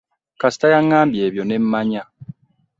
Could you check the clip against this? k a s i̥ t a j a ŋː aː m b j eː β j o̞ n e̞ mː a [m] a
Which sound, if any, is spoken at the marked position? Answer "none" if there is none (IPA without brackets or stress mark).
ɲ